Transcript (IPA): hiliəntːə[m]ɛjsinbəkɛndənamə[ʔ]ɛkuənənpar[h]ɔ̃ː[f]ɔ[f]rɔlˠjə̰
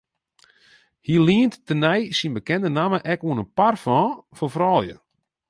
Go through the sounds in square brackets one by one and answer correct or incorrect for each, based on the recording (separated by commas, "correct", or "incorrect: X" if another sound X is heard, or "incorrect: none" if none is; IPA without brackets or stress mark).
incorrect: n, correct, incorrect: f, correct, correct